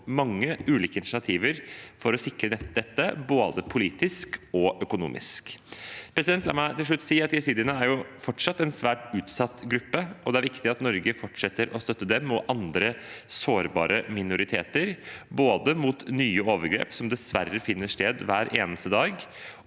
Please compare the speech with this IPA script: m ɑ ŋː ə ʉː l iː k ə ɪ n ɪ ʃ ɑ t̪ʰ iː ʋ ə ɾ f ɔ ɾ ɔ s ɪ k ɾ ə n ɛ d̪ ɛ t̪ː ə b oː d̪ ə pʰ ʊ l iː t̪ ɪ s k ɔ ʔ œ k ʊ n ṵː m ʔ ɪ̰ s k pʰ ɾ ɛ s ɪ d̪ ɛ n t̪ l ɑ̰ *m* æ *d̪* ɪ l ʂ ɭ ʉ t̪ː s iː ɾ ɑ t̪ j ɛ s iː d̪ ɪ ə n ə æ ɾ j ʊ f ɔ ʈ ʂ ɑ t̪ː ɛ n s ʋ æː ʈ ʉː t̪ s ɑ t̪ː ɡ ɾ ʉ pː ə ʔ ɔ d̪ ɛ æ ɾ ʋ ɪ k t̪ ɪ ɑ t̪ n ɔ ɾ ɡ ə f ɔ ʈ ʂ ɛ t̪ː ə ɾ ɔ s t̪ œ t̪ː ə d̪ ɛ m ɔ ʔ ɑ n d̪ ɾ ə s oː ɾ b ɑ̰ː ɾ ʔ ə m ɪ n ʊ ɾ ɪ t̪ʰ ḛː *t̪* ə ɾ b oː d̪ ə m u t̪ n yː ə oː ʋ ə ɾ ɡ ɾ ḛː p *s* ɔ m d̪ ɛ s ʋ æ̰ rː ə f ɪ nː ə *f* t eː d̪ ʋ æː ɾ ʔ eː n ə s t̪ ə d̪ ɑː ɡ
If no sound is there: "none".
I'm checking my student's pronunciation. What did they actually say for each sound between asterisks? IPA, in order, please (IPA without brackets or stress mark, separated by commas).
m, t̪, t̪, s, ʂ